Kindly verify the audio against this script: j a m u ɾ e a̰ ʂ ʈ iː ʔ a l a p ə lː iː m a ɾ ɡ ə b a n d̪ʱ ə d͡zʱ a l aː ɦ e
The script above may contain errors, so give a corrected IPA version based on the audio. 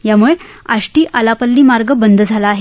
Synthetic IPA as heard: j a m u ɭ e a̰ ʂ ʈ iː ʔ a l a p ə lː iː m a ɾ ɡ ə b ə n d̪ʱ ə d͡zʱ a l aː ɦ e